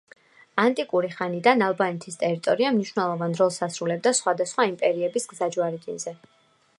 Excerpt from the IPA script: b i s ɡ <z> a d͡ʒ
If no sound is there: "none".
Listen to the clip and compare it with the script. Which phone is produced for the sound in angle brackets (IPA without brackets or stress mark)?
z